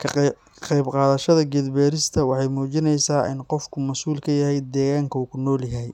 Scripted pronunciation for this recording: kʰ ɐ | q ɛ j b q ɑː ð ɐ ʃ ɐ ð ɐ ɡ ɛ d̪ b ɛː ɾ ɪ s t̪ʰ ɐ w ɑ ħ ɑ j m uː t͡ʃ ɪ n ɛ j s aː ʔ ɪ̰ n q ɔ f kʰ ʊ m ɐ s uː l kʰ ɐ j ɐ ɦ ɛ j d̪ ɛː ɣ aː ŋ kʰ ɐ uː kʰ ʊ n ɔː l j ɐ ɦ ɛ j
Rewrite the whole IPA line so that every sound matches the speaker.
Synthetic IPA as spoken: kʰ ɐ | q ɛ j b q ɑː ð ɐ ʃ ɐ ð ɐ ɡ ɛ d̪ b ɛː ɾ ɪ s t̪ʰ ɐ w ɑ ħ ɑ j m uː t͡ʃ ɪ n ɛ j s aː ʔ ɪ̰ n q ɔ f kʰ ʊ m ɐ s uː l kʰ ɐ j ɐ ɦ ɛ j d̪ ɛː ɣ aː ŋ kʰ ɐ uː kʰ ʊ n ɔː l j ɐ ɦ ɛ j